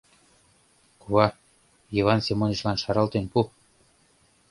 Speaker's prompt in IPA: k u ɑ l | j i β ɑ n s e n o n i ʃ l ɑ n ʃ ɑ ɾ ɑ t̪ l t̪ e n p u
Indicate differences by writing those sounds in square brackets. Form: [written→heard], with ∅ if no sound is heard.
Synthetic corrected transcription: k u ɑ [l→∅] | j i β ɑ n s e [n→m] o n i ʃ l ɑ n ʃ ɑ ɾ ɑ [t̪→∅] l t̪ e n p u